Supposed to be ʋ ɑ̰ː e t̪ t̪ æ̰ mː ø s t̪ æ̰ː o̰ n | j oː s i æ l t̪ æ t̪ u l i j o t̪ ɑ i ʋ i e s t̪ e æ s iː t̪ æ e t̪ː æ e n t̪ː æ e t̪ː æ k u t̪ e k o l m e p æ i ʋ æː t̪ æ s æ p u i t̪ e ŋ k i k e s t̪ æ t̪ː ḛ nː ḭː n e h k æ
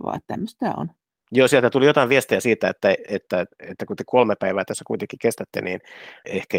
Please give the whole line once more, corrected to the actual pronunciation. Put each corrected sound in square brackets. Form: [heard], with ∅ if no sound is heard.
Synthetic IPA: ʋ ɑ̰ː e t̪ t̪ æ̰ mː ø s t̪ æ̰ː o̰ n | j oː s i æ l t̪ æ t̪ u l i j o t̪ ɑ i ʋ i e s t̪ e æ s iː t̪ æ e t̪ː æ e [∅] t̪ː æ e t̪ː æ k u t̪ e k o l m e p æ i ʋ æː t̪ æ [sː] æ [k] u i t̪ e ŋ k i k e s t̪ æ t̪ː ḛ [n] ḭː n e h k æ